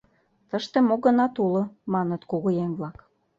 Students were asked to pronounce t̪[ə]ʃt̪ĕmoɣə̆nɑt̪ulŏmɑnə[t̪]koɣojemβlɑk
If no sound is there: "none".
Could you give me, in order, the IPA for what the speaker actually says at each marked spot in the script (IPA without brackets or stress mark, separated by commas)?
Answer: ə, t̪